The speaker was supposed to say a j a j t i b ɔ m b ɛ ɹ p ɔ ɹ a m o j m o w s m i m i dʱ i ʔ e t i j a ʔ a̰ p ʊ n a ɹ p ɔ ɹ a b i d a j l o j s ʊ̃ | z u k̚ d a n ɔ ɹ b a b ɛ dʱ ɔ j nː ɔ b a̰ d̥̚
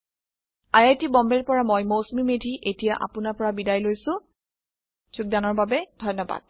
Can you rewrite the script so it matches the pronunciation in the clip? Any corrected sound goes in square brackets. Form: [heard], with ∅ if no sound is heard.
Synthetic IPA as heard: a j a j t i b ɔ m b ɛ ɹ p ɔ ɹ a m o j m o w s m i m [e] dʱ i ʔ e t i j a ʔ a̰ p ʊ n a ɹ p ɔ ɹ a b i d a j l o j s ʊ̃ | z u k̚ d a n ɔ ɹ b a b ɛ dʱ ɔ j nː ɔ b a̰ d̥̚